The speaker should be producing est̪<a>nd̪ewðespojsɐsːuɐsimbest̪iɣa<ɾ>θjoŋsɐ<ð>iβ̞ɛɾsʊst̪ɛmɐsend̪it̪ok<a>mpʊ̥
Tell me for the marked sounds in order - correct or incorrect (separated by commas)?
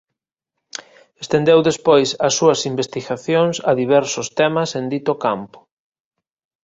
incorrect, incorrect, correct, correct